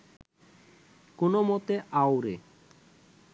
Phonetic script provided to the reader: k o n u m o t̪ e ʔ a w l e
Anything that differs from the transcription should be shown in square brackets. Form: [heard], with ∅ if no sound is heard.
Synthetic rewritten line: k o n [o] m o t̪ e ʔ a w [ɾ] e